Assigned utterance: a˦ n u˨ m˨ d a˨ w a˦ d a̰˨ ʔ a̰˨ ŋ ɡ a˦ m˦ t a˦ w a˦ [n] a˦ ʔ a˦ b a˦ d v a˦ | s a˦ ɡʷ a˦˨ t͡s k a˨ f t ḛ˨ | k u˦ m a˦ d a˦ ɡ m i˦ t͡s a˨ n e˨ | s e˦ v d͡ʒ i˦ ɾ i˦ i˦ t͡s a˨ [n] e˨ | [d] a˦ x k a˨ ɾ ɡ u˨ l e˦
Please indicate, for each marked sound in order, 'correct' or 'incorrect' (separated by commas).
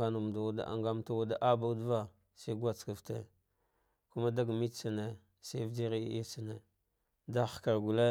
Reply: incorrect, correct, correct